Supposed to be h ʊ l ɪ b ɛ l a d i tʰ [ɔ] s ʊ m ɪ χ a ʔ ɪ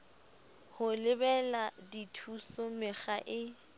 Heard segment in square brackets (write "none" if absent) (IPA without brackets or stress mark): u